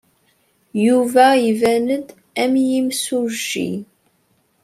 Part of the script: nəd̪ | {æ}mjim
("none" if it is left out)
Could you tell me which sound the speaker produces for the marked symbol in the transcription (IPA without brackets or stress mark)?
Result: æ